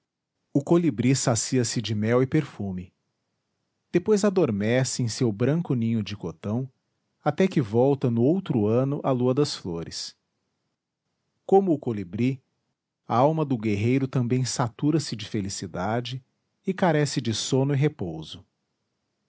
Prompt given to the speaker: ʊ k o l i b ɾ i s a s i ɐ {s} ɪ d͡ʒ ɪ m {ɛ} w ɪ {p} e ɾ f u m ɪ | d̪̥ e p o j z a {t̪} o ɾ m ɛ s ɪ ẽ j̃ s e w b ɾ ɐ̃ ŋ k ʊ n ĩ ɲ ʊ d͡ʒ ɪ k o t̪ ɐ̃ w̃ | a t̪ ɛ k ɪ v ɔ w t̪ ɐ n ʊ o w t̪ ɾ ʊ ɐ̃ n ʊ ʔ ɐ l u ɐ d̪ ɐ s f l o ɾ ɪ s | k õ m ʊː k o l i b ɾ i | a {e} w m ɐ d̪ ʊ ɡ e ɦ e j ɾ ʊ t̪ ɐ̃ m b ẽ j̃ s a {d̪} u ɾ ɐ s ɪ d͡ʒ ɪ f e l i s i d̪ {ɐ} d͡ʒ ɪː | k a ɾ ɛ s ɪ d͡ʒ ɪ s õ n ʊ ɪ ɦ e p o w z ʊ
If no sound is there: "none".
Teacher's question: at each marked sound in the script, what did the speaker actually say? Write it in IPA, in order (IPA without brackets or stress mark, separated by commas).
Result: s, ɛ, p, d̪, a, t̪, a